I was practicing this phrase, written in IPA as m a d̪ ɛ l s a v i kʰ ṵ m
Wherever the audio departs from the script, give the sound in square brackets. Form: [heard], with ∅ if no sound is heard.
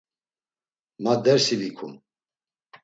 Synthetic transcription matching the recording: m a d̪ ɛ [ɾ] s [i] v i kʰ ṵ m